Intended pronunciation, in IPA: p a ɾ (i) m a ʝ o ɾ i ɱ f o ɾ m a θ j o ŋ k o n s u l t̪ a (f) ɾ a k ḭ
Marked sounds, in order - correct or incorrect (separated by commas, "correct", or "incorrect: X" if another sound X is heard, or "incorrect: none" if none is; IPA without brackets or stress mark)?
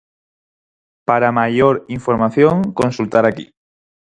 incorrect: a, incorrect: none